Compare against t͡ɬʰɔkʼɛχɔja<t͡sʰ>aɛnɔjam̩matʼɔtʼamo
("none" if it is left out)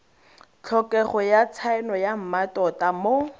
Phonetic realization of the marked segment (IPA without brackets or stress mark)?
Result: t͡sʰ